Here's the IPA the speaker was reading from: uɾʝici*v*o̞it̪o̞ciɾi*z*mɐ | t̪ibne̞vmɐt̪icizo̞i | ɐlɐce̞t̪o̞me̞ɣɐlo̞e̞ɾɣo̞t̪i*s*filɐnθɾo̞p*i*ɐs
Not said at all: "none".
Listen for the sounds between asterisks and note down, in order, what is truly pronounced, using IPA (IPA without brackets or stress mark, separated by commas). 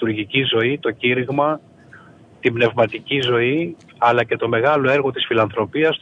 z, ɣ, s, i